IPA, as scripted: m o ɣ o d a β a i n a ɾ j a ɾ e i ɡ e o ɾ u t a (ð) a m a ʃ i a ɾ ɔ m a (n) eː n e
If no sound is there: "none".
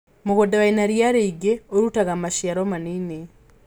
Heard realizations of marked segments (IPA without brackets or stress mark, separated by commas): ɣ, n